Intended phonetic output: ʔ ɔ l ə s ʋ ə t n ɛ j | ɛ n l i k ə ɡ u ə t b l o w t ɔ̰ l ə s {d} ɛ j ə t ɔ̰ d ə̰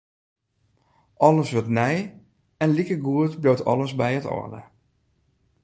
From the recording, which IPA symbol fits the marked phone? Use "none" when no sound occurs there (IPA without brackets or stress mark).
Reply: b